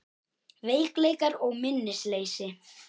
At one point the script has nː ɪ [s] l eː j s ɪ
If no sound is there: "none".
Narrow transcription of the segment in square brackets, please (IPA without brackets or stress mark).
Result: s